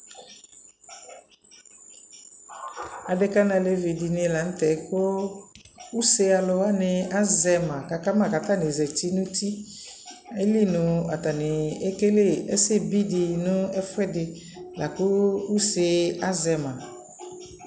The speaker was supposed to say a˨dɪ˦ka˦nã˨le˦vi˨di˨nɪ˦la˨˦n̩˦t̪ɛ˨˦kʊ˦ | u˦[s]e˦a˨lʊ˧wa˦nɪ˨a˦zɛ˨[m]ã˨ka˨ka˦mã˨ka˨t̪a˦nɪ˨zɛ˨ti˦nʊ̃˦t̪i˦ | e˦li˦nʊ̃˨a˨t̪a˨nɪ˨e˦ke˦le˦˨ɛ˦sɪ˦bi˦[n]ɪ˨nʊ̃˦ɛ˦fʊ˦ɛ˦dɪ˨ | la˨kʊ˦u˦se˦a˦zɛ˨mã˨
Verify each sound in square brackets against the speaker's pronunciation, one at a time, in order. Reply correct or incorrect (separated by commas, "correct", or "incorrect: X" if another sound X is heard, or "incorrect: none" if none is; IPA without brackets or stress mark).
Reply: correct, correct, incorrect: d